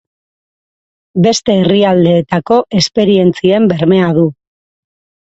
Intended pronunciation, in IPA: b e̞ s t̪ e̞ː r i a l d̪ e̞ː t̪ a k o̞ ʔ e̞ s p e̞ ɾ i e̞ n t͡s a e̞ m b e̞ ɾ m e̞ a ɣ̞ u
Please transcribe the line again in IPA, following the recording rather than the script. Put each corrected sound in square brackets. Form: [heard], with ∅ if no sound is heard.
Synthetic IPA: b e̞ s t̪ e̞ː r i a l d̪ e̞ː t̪ a k o̞ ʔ e̞ s p e̞ ɾ i e̞ n t͡s [i] e̞ m b e̞ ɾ m e̞ a [ð̞] u